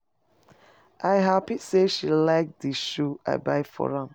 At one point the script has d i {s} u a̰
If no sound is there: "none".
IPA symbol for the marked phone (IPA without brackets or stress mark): ʃ